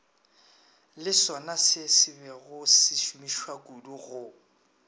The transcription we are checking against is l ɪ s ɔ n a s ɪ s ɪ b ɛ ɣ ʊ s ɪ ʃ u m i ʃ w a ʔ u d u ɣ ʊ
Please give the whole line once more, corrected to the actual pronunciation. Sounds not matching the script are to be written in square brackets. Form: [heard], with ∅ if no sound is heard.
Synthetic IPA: l ɪ s ɔ n a s ɪ s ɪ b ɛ ɣ ʊ s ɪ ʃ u m i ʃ w a [k] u d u ɣ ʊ